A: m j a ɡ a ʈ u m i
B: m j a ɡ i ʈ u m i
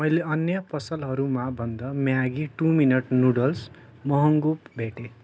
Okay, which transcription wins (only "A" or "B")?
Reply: B